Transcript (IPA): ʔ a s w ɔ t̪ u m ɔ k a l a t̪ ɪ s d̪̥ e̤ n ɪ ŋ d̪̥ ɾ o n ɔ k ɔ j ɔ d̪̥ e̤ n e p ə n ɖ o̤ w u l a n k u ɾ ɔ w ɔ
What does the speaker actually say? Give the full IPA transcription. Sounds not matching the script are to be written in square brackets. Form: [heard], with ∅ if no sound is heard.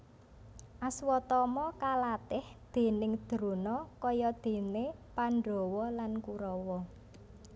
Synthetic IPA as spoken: ʔ a s w ɔ t̪ [ɔ] m ɔ k a l a t̪ ɪ [h] d̪̥ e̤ n ɪ ŋ d̪̥ ɾ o n ɔ k ɔ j ɔ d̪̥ e̤ n e p [a] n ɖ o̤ w [ɔ] l a n k u ɾ ɔ w ɔ

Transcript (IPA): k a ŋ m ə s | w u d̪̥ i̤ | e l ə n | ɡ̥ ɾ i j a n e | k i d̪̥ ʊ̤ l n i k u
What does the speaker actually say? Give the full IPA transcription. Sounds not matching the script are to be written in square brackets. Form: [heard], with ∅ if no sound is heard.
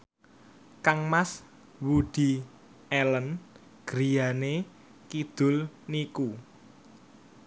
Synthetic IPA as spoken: k a ŋ m [a] s | w u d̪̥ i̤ | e l ə n | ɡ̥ ɾ i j a n e | k i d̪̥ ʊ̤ l n i k u

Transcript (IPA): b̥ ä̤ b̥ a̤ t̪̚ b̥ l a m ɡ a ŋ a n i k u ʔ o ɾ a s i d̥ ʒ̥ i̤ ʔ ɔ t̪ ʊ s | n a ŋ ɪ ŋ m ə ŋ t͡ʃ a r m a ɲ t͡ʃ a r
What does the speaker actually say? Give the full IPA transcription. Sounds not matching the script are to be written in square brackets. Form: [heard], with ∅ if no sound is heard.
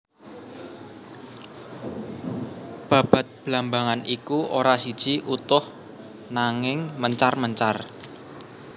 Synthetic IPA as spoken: b̥ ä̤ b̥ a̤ t̪̚ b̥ l a m [b] a ŋ a n i k u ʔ o ɾ a s i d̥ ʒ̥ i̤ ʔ [u] t̪ ʊ [h] | n a ŋ ɪ ŋ m ə [ɲ] t͡ʃ a r m [ə] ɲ t͡ʃ a r

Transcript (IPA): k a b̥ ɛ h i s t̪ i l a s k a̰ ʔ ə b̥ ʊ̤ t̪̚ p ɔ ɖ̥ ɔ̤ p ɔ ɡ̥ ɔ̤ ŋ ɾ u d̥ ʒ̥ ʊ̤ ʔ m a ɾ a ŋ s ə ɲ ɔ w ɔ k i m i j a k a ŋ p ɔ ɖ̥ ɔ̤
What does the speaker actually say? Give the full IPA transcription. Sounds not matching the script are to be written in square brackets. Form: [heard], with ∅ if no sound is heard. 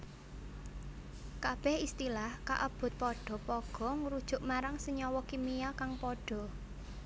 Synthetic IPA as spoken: k a b̥ ɛ h i s t̪ i l a [h] k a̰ ʔ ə b̥ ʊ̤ t̪̚ p ɔ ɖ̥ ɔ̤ p ɔ ɡ̥ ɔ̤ ŋ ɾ u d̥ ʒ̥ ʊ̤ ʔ m a ɾ a ŋ s ə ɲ ɔ w ɔ k i m i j a k a ŋ p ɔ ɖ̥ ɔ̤

